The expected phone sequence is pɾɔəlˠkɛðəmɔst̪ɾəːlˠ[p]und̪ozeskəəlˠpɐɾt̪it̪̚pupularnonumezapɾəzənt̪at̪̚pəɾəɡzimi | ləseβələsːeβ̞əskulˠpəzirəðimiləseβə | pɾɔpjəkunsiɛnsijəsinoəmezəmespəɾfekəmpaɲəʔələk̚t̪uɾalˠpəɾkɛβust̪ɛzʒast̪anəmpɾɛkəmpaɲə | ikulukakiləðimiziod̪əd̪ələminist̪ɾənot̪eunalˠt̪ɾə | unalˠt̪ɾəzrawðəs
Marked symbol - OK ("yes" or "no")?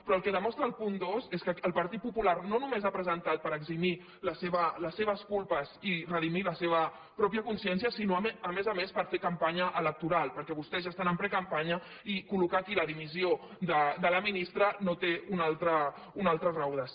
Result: yes